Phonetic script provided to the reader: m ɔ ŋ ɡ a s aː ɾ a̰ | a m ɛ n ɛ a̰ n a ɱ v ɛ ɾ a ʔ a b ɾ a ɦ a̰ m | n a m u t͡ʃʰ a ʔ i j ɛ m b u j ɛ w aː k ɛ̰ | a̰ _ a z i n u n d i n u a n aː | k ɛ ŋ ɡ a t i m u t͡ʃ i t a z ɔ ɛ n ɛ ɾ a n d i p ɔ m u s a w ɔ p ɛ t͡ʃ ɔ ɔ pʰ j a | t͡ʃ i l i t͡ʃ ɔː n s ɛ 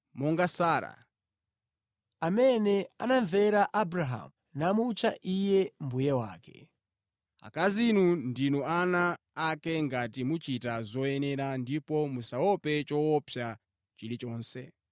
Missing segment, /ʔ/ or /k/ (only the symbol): k